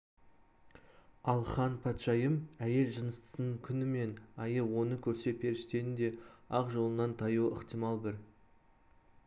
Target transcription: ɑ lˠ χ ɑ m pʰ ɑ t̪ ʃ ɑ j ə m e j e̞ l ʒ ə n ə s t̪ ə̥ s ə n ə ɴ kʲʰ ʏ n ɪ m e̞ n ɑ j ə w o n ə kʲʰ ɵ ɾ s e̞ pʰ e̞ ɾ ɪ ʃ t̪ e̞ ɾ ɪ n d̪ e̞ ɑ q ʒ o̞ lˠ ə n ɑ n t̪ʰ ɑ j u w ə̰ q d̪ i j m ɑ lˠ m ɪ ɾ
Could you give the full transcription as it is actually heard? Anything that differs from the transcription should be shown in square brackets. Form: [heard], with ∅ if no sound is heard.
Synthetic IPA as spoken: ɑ lˠ χ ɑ [n] pʰ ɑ t̪ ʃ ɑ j ə m [æ] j e̞ l ʒ ə n ə s t̪ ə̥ s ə n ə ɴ kʲʰ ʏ n ɪ m e̞ n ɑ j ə w o n ə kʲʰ ɵ ɾ s e̞ pʰ e̞ ɾ ɪ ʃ t̪ e̞ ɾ ɪ n d̪ e̞ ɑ q ʒ o̞ lˠ ə n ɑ n t̪ʰ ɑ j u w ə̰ q [t̪] i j m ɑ lˠ [b] ɪ ɾ